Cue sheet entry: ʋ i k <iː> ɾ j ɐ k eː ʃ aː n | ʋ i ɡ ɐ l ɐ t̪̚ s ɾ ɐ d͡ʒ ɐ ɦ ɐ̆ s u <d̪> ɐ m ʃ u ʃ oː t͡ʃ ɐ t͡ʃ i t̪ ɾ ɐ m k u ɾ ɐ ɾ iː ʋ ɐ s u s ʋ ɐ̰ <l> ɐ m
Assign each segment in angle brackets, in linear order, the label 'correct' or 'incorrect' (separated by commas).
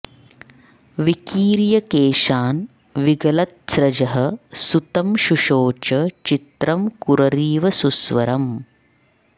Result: correct, incorrect, incorrect